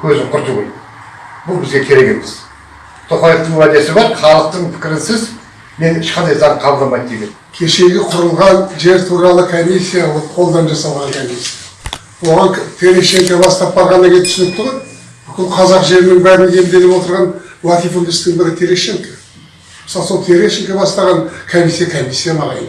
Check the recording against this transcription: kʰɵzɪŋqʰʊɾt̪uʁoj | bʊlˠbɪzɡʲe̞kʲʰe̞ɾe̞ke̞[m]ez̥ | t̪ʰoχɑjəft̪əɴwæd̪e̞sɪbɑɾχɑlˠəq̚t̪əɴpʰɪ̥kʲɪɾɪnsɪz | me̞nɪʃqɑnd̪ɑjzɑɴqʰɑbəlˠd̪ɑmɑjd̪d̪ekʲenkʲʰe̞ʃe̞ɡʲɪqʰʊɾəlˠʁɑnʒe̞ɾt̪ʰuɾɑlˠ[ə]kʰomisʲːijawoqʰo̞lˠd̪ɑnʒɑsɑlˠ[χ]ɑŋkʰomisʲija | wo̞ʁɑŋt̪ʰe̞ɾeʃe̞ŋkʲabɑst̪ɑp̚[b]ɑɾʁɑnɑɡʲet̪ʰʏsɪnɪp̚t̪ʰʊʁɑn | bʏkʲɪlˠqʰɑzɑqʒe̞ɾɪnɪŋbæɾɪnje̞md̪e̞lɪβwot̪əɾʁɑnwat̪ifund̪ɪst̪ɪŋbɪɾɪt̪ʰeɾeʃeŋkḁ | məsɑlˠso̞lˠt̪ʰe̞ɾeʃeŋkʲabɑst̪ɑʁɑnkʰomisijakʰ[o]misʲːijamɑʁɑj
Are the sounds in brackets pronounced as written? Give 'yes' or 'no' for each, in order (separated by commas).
yes, yes, no, yes, yes